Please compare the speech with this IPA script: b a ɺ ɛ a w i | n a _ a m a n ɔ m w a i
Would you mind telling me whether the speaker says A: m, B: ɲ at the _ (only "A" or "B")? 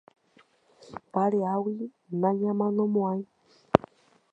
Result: B